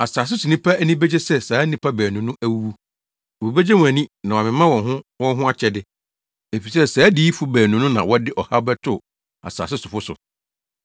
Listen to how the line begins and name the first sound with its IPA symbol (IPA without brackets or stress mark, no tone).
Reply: a